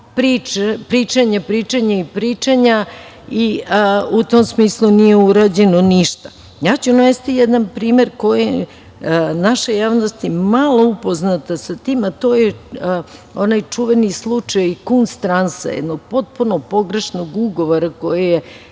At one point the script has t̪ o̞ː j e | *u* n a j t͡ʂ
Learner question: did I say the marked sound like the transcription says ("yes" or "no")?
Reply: no